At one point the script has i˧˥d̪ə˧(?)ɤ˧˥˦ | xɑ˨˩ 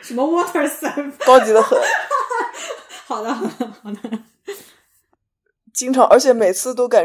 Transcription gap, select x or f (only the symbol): x